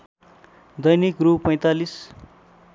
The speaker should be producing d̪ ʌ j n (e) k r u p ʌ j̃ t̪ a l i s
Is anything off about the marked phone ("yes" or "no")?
yes